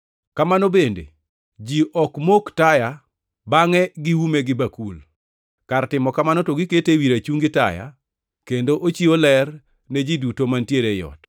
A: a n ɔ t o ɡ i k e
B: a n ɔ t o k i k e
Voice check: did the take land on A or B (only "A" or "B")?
A